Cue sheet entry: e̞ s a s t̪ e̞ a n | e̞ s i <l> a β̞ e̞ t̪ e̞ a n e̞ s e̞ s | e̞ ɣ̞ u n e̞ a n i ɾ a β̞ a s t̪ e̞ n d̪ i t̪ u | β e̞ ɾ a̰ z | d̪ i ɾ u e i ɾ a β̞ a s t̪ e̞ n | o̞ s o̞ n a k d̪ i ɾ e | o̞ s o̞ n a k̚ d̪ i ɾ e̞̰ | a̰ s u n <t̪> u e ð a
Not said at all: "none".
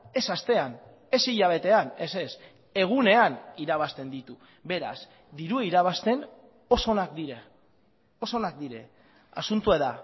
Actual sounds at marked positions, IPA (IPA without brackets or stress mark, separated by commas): ʎ, t̪